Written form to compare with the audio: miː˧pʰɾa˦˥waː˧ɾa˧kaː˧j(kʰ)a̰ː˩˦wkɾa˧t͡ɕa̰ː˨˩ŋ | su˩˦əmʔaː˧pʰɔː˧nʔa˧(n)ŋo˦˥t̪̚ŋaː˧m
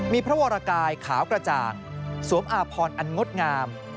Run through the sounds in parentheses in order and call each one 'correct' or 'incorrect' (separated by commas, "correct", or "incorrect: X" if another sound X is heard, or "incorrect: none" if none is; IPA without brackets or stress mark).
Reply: correct, correct